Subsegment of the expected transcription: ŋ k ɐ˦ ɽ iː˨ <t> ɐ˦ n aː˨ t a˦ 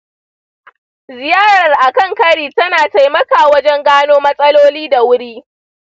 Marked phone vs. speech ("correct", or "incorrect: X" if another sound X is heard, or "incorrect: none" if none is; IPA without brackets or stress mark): correct